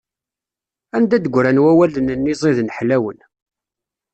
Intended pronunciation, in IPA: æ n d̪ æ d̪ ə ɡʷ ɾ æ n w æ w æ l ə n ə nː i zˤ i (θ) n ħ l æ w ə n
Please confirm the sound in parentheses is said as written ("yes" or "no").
no